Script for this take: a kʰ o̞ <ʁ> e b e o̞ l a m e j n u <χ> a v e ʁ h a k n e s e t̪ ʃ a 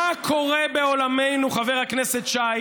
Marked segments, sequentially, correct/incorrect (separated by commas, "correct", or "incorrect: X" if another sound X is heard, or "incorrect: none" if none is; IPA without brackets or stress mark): correct, correct